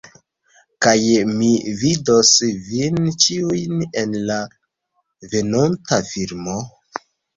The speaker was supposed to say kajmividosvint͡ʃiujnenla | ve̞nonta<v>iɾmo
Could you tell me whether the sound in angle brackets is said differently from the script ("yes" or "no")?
yes